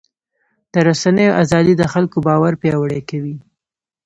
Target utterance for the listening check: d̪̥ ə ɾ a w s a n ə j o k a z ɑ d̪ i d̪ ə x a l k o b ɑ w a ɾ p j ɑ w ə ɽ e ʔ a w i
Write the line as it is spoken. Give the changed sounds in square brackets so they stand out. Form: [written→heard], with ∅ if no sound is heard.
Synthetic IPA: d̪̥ ə ɾ a [w→∅] s a n ə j o [k→ʔ] a z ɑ d̪ i d̪ ə x a l k o b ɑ w a ɾ p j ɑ w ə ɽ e [ʔ→k] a w i